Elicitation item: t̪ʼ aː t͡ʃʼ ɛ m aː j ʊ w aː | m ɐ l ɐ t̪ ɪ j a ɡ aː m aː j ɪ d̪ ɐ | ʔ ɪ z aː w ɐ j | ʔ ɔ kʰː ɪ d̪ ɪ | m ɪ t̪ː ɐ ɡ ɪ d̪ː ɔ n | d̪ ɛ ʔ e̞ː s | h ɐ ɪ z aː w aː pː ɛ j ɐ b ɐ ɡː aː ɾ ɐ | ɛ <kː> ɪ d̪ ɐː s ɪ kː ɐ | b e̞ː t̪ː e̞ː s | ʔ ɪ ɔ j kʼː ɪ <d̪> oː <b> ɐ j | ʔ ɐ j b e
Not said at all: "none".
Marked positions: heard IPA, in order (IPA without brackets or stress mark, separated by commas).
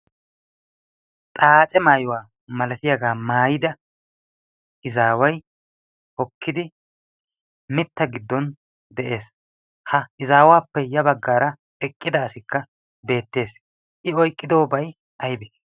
kʼː, d̪, b